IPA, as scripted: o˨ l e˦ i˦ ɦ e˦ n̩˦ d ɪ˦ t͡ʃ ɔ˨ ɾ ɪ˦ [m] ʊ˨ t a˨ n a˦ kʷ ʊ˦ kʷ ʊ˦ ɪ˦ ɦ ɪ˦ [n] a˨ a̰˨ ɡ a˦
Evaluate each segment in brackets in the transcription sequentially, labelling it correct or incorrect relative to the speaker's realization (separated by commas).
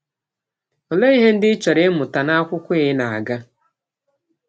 correct, correct